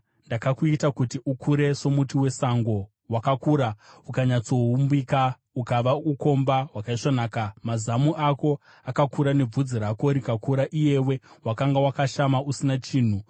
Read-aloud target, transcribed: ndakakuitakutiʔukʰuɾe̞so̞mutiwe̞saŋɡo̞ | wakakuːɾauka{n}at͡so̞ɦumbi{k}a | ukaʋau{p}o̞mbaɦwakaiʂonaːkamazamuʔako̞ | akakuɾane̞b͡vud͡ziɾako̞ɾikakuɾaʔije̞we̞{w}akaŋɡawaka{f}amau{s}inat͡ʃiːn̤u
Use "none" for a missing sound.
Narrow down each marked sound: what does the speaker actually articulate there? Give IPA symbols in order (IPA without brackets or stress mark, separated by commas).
ɲ, k, k, w, ʃ, s